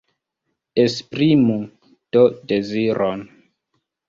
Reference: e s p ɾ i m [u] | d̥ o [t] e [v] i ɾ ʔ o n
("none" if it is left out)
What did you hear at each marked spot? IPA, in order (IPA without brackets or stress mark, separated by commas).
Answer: u, d, z